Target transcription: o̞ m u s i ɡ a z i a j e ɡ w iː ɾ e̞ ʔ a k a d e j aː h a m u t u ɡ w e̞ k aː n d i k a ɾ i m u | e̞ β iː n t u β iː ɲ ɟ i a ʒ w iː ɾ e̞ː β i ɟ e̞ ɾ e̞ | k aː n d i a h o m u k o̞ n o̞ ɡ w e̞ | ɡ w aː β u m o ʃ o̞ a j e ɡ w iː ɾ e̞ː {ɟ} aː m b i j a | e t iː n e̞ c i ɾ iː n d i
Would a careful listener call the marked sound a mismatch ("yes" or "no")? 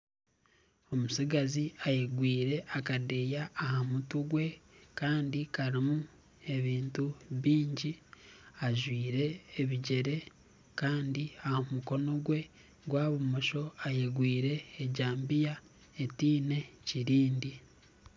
no